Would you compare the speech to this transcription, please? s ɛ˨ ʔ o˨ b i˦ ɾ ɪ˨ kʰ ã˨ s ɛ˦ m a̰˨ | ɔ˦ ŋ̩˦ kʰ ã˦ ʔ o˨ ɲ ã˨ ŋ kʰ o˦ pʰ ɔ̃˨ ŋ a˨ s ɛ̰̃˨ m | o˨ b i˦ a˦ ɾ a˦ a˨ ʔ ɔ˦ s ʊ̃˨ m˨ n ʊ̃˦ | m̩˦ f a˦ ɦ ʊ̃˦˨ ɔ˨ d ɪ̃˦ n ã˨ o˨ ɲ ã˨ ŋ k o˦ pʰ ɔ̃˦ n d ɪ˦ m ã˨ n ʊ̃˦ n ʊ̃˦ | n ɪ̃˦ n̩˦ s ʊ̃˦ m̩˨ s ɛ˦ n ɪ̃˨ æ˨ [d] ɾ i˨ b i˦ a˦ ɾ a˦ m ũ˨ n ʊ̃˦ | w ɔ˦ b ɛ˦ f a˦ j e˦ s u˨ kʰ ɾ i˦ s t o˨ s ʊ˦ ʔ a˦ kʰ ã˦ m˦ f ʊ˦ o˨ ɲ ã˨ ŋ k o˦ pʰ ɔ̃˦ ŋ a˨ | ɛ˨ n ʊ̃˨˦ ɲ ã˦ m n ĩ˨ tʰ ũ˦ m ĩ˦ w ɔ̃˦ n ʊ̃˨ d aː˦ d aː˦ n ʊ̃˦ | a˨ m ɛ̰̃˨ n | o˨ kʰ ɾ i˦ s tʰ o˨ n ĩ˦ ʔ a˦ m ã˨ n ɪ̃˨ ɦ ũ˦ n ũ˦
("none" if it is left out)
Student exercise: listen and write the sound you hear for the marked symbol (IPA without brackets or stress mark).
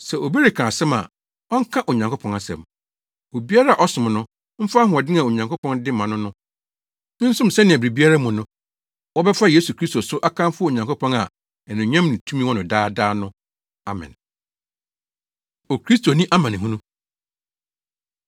b